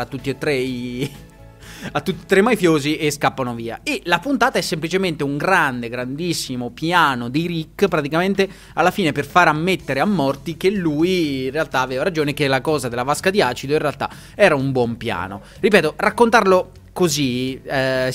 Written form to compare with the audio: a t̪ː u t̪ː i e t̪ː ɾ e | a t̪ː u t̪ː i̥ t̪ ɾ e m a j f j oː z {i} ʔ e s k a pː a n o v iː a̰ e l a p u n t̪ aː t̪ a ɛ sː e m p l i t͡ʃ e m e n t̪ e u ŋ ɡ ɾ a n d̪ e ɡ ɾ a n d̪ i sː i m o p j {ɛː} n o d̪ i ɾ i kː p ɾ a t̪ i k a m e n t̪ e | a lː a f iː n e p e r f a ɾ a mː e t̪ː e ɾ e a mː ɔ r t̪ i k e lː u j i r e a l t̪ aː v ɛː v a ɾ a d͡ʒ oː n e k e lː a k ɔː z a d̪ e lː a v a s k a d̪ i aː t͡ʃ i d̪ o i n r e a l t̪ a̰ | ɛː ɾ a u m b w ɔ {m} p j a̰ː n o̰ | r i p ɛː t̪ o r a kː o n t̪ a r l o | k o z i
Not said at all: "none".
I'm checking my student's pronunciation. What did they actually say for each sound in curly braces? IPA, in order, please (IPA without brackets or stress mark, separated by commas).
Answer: i, aː, m